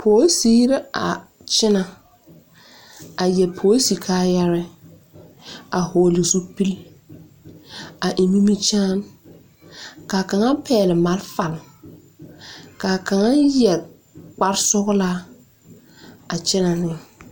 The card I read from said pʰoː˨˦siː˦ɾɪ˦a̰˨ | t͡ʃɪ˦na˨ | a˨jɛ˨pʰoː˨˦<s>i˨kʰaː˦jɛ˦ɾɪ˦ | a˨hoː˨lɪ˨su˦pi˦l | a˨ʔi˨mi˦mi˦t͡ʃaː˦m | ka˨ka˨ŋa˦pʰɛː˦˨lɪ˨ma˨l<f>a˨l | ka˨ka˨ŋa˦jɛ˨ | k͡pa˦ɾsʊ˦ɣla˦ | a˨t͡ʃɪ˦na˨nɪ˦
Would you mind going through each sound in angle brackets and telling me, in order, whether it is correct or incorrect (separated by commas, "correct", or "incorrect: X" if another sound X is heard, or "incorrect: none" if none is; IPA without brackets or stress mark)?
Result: correct, correct